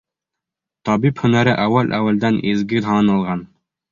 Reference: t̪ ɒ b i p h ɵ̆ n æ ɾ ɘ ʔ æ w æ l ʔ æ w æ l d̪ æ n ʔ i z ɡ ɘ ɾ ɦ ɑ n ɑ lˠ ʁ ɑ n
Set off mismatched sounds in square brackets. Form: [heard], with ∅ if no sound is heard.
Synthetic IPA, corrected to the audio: t̪ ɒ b i p h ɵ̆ n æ ɾ ɘ ʔ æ w æ l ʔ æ w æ l d̪ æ n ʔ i z ɡ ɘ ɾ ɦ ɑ n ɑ lˠ ʁ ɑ n